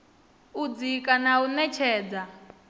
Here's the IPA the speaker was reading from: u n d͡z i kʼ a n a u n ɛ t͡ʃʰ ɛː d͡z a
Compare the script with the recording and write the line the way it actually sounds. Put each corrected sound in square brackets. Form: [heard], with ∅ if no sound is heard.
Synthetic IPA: u [∅] d͡z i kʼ a n a u n ɛ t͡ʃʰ ɛː d͡z a